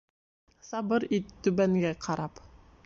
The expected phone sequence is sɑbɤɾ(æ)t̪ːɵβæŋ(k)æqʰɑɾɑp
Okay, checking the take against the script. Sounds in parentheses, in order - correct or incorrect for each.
incorrect: i, incorrect: ɡ

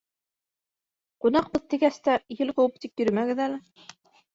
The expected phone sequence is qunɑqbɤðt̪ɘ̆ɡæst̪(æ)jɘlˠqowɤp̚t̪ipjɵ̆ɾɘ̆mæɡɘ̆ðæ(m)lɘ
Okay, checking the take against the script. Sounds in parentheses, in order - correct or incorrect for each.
correct, incorrect: none

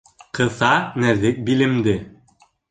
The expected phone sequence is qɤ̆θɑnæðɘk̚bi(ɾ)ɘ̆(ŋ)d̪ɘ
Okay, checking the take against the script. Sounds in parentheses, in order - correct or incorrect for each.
incorrect: l, incorrect: m

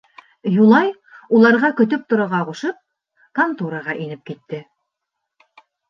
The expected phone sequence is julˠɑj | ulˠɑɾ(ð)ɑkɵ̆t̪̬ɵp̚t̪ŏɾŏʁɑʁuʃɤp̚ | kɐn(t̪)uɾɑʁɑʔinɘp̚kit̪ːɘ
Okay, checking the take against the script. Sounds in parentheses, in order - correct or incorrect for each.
incorrect: ʁ, correct

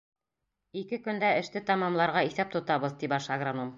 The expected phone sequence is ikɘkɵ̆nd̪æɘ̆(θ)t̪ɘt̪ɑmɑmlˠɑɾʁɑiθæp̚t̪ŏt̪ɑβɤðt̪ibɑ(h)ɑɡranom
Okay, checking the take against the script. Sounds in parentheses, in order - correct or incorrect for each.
incorrect: ʃ, incorrect: ʃ

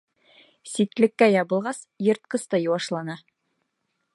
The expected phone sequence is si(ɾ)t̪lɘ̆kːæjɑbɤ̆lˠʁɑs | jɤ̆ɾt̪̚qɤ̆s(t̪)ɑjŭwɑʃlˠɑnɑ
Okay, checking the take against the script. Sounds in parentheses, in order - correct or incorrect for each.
incorrect: none, correct

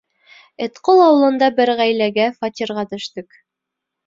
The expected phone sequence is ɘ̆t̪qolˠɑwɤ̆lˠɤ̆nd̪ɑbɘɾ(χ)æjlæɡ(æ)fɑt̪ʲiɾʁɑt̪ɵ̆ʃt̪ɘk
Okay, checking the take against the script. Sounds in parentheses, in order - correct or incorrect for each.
incorrect: ʁ, correct

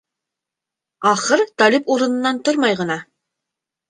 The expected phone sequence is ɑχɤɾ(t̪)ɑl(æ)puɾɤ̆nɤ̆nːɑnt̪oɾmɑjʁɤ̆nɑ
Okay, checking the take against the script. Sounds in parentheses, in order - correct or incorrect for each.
correct, incorrect: i

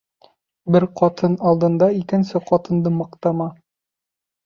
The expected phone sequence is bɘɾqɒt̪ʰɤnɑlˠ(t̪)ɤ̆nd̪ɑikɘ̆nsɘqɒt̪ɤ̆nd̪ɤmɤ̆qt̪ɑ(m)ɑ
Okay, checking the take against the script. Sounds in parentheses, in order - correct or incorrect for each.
incorrect: d̪, correct

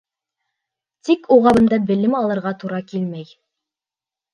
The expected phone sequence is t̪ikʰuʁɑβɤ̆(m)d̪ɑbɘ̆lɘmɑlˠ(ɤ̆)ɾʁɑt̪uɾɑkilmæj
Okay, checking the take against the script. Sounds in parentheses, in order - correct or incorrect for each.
incorrect: n, correct

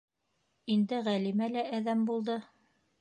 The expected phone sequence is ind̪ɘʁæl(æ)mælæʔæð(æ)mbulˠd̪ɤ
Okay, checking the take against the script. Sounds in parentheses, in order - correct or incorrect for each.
incorrect: i, correct

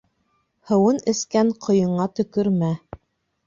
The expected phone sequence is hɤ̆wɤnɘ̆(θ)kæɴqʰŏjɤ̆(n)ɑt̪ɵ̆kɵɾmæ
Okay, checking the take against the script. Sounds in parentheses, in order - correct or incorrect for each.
incorrect: s, incorrect: ɴ

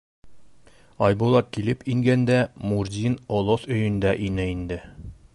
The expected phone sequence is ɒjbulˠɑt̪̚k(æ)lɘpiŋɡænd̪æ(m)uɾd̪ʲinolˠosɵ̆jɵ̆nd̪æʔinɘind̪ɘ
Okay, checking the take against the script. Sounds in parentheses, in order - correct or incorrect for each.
incorrect: i, correct

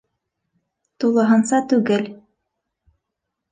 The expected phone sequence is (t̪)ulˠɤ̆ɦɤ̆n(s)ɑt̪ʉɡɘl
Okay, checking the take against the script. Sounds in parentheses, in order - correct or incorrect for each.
correct, correct

